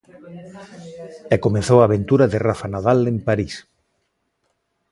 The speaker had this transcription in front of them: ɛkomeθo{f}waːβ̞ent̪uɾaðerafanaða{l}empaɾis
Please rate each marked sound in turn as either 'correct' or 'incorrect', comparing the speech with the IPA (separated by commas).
incorrect, correct